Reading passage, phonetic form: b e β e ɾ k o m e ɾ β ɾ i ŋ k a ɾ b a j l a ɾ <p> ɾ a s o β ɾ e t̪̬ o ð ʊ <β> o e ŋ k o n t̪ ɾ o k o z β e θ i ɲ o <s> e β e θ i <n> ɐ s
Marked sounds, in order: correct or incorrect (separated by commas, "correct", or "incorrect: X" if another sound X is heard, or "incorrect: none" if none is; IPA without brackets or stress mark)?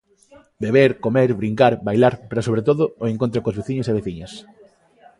correct, incorrect: none, correct, incorrect: ɲ